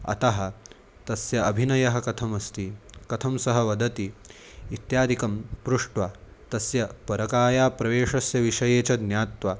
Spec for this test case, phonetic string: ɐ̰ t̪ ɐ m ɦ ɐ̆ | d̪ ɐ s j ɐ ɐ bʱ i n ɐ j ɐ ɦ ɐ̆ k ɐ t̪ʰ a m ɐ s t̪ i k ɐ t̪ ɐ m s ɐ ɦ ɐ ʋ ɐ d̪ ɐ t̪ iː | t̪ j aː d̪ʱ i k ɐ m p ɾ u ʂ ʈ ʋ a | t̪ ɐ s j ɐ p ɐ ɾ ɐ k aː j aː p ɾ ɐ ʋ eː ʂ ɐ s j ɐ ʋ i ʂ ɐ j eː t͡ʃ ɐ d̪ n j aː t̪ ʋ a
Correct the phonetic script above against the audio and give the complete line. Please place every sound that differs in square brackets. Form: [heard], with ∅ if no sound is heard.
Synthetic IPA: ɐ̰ t̪ ɐ [∅] ɦ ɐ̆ | [t̪] ɐ s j ɐ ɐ bʱ i n ɐ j ɐ ɦ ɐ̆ k ɐ t̪ʰ [ɐ] m ɐ s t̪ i k ɐ [t̪ʰ] ɐ m s ɐ ɦ ɐ ʋ ɐ d̪ ɐ t̪ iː | t̪ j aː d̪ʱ i k ɐ m p ɾ u ʂ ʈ ʋ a | t̪ ɐ s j ɐ p ɐ ɾ ɐ k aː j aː p ɾ ɐ ʋ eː ʂ ɐ s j ɐ ʋ i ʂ ɐ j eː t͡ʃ ɐ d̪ n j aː t̪ ʋ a